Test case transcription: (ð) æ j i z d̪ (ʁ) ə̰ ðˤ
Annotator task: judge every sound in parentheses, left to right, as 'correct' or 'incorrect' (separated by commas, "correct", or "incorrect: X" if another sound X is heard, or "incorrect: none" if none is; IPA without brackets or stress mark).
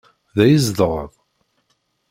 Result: correct, correct